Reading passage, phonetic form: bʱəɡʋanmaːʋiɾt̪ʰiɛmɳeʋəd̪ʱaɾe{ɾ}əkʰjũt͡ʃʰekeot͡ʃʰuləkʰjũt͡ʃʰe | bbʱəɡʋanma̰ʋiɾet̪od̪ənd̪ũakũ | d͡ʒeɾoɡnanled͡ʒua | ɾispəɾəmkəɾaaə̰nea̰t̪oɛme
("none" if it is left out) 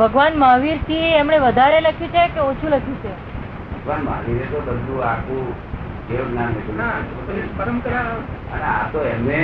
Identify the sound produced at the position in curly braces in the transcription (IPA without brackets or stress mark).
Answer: l